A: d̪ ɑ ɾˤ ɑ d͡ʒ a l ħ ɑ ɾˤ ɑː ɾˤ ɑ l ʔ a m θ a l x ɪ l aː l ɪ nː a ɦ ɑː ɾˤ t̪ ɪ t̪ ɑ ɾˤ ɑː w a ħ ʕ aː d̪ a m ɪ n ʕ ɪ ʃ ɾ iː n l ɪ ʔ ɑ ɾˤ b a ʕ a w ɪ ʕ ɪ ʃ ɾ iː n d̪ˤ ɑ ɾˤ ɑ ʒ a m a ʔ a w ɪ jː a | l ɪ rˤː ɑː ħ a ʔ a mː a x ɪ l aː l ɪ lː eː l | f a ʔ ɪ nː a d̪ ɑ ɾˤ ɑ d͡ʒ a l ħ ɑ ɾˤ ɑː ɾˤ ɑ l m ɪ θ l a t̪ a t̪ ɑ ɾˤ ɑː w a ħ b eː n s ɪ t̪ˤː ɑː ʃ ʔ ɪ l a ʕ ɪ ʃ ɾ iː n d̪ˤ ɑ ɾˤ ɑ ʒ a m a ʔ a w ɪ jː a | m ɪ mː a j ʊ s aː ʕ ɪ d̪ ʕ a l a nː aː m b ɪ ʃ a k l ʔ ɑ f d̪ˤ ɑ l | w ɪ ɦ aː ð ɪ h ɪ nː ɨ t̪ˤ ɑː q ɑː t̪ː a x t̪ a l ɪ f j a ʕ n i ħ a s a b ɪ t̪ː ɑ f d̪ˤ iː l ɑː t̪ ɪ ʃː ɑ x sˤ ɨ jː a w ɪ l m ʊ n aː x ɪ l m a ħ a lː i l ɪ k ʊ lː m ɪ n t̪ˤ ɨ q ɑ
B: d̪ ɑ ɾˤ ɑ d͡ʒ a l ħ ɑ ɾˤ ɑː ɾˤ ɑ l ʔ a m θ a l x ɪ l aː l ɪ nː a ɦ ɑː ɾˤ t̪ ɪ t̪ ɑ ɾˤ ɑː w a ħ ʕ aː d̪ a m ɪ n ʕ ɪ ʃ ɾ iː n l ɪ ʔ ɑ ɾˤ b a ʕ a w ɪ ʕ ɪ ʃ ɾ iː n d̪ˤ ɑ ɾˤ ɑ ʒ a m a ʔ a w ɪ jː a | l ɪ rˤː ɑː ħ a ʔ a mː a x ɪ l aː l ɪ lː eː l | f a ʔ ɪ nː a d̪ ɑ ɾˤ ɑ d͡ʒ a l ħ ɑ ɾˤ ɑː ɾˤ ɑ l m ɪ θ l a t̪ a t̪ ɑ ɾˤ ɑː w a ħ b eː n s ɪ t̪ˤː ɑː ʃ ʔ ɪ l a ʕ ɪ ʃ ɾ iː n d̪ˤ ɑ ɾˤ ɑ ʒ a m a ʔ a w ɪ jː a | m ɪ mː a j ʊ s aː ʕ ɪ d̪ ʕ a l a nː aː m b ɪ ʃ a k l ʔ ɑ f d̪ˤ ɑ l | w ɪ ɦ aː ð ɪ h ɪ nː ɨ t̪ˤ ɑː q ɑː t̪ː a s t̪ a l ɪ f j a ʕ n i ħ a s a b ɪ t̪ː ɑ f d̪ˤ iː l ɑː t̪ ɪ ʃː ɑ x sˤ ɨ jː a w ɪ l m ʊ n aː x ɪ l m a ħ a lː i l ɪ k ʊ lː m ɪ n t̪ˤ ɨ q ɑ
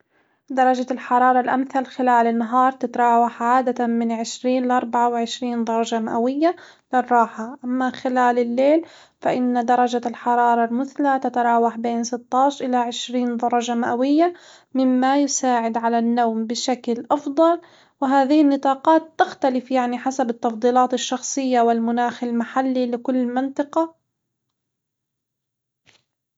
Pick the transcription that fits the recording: A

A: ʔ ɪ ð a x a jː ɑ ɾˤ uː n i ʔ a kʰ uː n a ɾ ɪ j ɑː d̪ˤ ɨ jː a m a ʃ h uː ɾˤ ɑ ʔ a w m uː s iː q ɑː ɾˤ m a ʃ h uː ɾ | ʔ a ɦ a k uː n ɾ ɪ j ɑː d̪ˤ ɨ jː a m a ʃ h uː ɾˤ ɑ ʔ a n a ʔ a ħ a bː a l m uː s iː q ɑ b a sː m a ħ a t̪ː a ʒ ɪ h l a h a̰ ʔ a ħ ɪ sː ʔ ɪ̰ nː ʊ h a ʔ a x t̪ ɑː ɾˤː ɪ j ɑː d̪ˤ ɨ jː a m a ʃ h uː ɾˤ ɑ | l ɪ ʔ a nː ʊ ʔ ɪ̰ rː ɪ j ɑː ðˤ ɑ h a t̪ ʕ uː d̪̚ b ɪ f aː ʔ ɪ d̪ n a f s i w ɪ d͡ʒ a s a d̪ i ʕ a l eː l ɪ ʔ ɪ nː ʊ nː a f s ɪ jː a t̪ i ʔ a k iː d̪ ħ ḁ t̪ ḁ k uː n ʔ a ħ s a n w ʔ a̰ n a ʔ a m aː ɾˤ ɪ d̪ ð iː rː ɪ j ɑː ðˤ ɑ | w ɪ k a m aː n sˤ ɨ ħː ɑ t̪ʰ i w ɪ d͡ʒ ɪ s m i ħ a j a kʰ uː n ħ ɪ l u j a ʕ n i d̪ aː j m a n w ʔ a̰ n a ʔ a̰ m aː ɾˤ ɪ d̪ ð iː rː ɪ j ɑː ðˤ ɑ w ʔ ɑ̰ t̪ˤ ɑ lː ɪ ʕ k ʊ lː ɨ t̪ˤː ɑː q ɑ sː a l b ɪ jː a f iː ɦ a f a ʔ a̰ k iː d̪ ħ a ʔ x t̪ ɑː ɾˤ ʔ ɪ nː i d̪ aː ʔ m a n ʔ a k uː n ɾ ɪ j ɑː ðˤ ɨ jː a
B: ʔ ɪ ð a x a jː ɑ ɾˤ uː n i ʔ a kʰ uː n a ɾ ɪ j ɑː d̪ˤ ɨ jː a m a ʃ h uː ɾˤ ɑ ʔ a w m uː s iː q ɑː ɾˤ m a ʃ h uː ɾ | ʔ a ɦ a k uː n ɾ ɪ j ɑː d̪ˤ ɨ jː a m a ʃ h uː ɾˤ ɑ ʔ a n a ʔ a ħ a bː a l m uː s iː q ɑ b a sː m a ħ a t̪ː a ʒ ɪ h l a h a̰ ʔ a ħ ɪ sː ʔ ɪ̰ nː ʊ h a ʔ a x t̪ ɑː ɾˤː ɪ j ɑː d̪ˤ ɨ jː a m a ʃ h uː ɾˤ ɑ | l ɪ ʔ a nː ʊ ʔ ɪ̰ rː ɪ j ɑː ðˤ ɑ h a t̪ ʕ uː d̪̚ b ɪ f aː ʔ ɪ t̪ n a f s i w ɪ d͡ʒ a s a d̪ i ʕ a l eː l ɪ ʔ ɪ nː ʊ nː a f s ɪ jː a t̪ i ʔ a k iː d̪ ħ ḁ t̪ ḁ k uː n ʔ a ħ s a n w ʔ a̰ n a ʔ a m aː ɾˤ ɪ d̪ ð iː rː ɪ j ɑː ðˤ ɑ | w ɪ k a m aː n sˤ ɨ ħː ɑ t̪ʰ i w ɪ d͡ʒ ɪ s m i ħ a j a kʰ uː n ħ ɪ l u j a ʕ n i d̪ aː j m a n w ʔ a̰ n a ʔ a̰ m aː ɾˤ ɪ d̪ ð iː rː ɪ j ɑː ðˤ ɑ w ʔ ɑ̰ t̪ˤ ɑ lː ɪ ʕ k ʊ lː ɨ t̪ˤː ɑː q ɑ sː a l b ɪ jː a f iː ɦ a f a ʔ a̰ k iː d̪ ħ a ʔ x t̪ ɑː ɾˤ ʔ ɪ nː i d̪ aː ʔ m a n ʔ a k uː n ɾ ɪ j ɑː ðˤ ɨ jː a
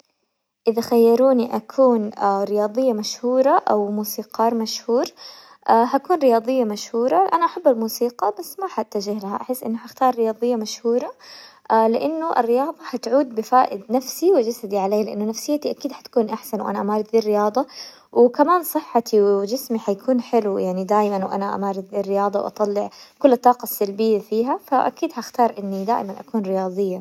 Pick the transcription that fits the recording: A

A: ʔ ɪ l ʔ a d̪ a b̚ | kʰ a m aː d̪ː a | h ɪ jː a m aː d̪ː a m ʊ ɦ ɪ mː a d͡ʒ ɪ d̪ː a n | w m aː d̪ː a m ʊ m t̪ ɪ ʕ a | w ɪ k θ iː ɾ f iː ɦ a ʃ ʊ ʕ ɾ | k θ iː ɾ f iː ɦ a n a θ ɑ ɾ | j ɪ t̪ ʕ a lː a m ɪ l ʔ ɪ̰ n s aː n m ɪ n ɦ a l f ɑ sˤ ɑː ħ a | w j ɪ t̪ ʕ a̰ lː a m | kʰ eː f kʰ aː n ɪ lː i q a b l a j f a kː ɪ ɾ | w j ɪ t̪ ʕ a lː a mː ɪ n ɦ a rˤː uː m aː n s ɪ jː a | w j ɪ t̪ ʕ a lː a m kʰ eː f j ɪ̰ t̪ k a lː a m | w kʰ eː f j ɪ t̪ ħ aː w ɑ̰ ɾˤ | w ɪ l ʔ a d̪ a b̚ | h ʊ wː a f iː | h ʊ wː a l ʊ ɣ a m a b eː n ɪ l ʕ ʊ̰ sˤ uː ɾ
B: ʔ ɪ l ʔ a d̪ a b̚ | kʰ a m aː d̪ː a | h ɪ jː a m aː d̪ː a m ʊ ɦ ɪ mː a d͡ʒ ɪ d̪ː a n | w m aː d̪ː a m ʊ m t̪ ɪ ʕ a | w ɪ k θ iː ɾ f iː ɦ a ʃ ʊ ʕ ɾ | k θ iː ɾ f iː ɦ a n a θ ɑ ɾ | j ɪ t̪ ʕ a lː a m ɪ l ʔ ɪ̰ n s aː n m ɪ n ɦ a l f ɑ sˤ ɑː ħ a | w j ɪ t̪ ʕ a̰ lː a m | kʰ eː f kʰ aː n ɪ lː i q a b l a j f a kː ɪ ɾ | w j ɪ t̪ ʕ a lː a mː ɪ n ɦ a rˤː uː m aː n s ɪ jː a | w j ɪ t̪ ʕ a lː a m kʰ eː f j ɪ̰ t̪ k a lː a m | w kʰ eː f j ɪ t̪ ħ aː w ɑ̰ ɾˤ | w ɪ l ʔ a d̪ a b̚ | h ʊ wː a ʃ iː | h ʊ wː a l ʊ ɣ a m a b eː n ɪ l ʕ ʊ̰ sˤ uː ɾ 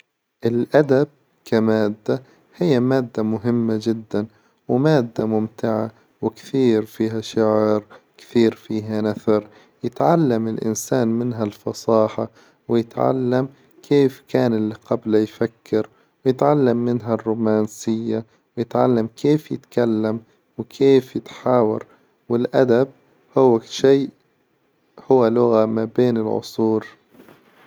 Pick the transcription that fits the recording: B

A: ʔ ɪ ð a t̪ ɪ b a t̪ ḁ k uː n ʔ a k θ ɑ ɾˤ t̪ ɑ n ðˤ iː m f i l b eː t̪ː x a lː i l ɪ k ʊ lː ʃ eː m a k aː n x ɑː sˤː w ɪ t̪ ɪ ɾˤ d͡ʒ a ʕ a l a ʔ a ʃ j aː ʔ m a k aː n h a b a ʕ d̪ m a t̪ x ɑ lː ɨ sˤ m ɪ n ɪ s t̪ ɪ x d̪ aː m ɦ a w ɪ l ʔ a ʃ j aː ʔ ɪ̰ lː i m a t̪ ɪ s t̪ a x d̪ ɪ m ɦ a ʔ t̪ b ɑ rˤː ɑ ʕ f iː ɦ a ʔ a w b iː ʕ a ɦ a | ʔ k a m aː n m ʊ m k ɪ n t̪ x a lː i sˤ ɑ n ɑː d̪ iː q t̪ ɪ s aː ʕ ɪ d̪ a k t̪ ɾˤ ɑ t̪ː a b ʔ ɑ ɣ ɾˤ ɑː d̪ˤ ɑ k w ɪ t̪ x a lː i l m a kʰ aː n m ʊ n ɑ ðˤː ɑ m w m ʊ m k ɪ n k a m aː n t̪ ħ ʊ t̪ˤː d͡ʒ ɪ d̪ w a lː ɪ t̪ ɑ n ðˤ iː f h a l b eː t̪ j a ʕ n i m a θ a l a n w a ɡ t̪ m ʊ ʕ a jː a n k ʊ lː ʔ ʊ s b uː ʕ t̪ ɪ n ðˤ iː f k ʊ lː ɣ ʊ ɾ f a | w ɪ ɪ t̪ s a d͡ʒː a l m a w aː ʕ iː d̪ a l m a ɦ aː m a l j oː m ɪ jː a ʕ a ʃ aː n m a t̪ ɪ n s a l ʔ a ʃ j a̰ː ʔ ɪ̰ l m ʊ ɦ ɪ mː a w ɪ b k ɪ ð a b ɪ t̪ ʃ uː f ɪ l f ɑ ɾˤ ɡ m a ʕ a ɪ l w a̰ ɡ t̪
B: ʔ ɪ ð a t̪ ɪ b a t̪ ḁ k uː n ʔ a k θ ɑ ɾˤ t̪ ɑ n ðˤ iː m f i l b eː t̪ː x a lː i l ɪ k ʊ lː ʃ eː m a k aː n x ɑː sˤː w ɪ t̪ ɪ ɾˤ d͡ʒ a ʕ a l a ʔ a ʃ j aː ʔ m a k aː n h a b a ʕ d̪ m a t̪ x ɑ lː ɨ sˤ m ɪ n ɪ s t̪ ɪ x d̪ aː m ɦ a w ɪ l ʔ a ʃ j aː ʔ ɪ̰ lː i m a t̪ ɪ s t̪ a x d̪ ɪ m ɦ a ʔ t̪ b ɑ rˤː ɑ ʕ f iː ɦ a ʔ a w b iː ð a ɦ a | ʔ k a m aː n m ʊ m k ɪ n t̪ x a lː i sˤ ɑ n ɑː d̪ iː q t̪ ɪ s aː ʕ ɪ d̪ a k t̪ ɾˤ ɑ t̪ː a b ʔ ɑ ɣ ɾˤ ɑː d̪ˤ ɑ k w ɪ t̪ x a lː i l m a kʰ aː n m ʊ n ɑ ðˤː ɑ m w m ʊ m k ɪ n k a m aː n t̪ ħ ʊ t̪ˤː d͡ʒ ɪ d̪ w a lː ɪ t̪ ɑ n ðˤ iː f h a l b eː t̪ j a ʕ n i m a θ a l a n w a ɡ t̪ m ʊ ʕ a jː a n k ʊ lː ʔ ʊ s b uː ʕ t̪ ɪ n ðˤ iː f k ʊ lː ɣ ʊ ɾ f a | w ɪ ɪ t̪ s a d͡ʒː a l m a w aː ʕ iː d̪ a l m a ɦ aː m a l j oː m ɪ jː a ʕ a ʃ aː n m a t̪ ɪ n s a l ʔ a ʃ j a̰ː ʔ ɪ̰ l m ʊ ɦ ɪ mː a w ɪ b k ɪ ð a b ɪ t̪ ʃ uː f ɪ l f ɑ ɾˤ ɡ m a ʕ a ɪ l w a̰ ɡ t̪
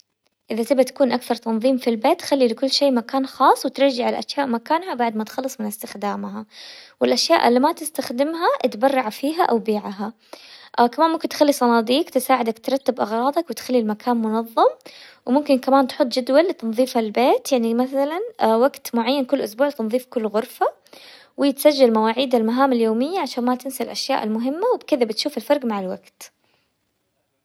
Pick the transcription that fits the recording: A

